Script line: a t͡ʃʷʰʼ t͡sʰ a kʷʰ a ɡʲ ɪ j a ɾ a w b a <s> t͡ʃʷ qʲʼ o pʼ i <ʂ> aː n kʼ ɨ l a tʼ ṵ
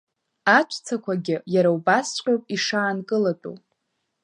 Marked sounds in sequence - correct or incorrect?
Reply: correct, correct

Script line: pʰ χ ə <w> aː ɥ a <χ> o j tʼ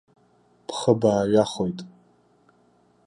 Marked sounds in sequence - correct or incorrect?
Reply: incorrect: b, correct

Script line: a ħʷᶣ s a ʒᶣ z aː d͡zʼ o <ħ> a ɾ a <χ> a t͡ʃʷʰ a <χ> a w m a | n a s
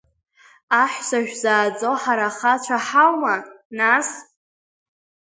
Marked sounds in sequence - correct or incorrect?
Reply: correct, correct, incorrect: ħ

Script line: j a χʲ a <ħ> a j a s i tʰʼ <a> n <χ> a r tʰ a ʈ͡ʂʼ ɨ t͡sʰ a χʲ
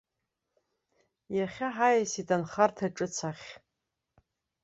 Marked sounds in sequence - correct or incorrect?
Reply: correct, correct, correct

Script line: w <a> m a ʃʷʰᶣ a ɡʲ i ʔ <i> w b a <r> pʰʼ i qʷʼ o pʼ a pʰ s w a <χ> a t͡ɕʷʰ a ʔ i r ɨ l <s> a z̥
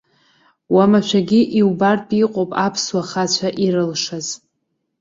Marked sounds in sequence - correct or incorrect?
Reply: correct, correct, correct, correct, incorrect: ʂ

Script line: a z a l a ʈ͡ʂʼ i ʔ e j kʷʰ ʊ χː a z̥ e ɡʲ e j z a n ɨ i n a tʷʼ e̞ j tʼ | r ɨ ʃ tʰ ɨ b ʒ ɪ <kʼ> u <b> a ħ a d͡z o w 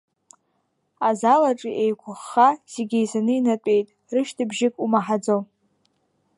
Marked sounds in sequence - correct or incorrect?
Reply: correct, incorrect: m

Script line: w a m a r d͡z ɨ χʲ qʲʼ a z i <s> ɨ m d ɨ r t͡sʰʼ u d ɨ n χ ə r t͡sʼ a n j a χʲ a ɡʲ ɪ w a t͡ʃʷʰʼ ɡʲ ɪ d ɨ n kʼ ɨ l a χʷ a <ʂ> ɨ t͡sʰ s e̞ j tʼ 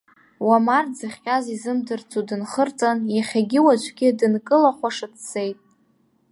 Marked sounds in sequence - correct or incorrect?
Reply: incorrect: z, correct

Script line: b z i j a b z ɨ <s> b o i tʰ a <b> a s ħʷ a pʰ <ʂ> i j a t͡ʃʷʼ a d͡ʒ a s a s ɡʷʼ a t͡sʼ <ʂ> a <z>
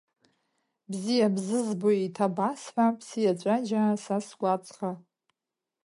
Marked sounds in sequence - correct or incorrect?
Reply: incorrect: z, correct, incorrect: s, incorrect: χ, incorrect: none

